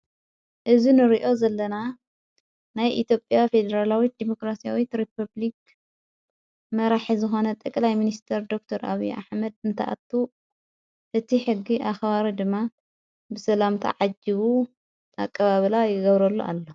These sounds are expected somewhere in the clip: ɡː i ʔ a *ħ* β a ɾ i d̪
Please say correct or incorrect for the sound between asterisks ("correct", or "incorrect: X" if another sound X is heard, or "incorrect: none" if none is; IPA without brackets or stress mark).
incorrect: x